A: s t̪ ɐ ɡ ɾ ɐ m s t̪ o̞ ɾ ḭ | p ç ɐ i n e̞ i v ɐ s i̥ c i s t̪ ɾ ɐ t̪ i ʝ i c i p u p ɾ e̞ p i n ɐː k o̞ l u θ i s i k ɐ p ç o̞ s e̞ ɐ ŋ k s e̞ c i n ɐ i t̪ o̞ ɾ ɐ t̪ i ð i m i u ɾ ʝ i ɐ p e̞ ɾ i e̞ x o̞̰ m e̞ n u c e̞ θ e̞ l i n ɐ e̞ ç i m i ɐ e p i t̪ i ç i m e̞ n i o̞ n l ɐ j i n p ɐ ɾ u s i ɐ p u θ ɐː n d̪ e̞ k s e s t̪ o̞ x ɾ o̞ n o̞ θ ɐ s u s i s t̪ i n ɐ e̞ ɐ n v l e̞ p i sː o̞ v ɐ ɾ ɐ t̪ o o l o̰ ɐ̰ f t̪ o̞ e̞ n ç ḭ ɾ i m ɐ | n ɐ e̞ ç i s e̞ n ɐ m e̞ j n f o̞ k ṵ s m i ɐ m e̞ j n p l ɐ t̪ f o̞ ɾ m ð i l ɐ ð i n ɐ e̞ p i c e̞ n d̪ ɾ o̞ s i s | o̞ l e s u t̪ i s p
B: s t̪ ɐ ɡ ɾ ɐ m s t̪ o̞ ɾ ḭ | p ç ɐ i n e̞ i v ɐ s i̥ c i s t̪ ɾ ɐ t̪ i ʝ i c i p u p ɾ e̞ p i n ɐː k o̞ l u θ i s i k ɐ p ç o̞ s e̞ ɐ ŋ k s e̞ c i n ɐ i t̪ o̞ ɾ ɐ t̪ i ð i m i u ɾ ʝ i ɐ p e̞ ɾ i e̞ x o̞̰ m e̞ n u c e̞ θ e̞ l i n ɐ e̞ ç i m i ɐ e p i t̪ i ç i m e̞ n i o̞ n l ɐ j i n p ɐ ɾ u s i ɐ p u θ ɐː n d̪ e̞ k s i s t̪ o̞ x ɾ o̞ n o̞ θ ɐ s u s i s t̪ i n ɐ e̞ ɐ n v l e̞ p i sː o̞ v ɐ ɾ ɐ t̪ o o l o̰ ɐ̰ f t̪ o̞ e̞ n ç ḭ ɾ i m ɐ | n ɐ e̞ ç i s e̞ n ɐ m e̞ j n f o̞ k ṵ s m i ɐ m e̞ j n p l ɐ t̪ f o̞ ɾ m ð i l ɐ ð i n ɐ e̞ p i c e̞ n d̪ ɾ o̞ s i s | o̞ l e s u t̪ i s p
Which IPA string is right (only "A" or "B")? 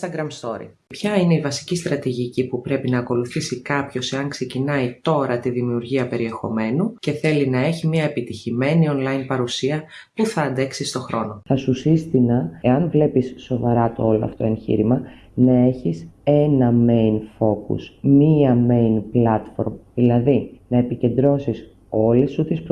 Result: B